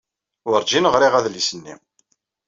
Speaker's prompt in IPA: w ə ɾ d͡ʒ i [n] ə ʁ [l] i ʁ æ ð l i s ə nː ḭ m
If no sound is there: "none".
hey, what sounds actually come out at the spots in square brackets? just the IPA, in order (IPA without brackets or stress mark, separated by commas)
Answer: n, ɾ